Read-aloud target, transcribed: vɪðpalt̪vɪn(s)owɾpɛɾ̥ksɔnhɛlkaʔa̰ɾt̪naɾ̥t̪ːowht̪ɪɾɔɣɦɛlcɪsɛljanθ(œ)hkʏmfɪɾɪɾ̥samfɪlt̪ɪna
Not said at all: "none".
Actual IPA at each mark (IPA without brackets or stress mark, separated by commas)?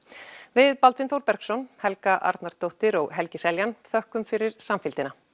θ, œ